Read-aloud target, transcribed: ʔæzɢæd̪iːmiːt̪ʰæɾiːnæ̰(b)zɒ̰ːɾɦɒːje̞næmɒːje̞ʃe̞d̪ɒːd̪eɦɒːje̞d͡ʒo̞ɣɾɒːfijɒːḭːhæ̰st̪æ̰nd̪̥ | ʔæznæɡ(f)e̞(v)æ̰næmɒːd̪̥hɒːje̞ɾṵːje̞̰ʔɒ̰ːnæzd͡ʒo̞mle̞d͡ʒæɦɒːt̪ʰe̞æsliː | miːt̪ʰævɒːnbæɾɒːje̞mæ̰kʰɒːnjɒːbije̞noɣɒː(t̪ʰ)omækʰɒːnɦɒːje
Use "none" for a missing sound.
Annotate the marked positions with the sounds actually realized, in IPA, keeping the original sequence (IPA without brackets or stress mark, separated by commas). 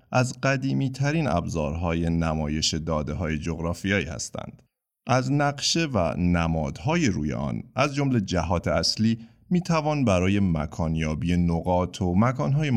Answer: b, ʃ, v, t̪ʰ